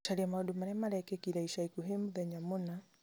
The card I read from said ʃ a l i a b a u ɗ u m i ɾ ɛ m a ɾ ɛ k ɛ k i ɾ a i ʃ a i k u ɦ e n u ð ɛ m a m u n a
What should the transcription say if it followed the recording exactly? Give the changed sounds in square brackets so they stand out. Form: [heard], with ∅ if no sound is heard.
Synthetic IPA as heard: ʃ a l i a [m] a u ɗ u m [a] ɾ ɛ m a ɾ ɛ k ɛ k i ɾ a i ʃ a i k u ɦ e [m] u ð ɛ [ɲ] a m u n a